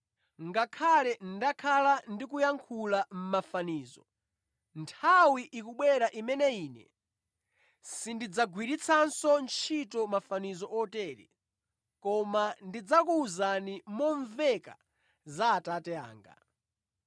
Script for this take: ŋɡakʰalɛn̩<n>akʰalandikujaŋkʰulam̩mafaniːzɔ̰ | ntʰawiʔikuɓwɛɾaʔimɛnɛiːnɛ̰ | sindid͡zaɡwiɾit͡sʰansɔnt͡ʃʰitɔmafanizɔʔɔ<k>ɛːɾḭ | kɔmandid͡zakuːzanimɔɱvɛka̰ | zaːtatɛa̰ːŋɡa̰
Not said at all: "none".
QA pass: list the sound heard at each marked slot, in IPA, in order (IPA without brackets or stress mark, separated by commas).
d, t